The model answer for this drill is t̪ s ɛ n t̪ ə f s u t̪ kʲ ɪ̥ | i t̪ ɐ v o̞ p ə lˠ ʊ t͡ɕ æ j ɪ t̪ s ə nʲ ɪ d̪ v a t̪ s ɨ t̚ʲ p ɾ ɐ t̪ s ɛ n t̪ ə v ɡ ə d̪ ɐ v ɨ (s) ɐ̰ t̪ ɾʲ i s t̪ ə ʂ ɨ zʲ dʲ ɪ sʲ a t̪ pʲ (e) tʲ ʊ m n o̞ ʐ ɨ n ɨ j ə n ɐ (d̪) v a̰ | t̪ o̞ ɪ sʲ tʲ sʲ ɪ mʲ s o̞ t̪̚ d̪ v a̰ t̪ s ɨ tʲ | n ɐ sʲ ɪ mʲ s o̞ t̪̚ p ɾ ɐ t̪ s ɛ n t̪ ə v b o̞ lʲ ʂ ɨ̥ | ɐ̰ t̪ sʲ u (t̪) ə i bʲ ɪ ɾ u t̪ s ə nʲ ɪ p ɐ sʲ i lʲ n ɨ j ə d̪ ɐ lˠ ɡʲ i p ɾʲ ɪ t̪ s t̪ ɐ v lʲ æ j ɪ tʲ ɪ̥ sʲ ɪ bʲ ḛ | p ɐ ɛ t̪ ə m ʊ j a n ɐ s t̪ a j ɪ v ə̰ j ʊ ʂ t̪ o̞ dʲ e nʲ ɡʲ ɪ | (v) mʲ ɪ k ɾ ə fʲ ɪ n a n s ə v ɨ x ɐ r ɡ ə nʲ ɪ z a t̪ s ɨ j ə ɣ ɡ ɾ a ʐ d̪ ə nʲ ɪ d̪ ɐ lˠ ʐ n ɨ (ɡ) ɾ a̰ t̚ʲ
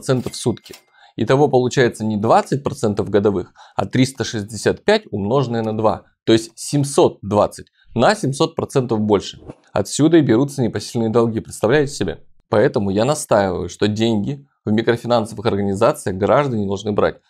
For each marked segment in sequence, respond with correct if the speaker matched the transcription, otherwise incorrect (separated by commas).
incorrect, incorrect, correct, incorrect, correct, incorrect